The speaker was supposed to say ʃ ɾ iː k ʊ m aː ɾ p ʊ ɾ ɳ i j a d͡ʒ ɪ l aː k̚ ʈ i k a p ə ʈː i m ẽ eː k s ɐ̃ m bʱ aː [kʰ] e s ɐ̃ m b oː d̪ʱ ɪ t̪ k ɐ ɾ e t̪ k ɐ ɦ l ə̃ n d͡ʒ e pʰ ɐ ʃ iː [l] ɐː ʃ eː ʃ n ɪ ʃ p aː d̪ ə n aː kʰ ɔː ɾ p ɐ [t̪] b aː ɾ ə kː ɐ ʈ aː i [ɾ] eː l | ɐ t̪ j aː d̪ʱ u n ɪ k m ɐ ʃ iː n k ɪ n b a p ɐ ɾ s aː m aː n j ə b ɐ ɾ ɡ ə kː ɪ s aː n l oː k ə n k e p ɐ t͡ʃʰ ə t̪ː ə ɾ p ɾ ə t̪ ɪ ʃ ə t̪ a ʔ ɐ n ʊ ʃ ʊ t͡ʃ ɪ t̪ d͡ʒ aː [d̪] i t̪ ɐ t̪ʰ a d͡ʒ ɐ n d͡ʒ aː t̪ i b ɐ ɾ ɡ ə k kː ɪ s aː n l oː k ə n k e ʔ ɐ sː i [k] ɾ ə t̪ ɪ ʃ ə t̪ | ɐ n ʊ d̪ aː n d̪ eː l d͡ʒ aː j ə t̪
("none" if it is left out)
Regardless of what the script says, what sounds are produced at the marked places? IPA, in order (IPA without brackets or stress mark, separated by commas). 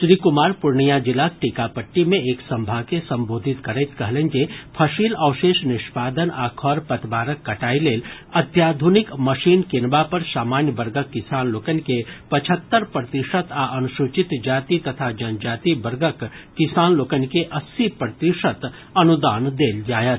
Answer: k, l, t̪, l, t̪, p